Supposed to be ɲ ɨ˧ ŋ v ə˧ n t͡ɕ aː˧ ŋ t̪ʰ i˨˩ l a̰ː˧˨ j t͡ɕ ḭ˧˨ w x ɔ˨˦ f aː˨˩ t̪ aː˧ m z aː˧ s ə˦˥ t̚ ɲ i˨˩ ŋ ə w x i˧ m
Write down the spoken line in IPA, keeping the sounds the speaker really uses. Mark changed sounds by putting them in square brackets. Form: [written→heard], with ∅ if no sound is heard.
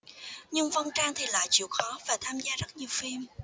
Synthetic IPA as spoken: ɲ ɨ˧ ŋ v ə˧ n t͡ɕ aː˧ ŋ t̪ʰ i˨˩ l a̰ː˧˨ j t͡ɕ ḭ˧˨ w x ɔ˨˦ [f→v] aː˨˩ [t̪→t̪ʰ] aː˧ m z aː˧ [s→z] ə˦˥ t̚ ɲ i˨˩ [ŋ→∅] ə w [x→f] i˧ m